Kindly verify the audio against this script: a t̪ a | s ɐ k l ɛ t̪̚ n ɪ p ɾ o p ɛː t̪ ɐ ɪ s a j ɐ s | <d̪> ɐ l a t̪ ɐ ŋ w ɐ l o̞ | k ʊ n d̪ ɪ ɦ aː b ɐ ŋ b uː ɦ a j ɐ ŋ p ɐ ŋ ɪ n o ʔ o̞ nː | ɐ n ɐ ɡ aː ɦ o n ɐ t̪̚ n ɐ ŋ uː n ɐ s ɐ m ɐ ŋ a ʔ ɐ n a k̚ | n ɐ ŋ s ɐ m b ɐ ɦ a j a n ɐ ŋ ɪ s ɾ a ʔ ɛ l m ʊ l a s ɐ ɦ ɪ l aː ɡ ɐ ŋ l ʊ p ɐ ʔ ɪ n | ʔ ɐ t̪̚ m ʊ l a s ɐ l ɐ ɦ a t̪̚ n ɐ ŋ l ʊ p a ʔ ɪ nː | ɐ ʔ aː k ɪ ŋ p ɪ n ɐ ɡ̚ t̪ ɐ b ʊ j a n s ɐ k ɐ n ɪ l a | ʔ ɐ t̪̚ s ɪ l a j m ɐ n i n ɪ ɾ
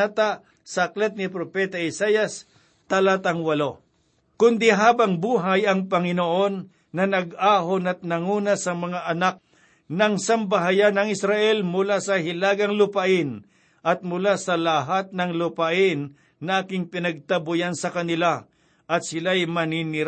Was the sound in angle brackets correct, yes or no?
no